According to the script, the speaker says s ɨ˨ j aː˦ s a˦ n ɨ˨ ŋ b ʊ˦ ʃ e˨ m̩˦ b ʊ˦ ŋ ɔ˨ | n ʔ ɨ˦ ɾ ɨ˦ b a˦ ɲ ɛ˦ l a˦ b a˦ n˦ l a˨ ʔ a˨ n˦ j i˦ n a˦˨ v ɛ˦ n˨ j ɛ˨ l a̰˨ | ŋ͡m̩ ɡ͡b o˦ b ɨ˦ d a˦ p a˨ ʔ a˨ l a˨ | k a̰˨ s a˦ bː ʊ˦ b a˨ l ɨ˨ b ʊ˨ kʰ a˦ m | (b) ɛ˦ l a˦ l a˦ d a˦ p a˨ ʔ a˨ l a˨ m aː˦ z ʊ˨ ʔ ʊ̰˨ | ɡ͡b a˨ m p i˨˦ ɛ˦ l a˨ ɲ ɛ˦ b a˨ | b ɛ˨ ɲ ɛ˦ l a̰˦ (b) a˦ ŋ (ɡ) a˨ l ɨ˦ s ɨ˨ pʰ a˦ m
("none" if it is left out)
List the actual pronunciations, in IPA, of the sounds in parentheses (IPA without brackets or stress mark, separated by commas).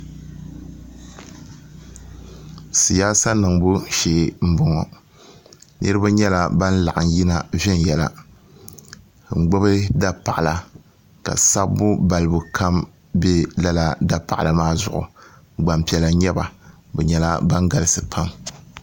b, b, ɡ